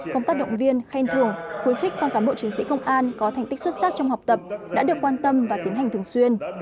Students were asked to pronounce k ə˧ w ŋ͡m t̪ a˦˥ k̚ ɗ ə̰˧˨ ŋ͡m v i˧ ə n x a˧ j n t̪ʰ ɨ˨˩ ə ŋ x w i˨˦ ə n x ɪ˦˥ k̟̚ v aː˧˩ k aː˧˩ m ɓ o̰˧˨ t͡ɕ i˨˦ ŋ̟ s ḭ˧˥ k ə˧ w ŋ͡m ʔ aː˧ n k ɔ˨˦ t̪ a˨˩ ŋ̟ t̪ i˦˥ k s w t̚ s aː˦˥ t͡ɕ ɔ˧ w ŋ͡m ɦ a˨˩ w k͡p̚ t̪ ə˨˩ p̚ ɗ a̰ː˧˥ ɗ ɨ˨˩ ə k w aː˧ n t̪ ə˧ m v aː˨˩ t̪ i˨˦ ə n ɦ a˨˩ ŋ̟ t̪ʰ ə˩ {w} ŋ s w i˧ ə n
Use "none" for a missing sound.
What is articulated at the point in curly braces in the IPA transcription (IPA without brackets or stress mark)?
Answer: none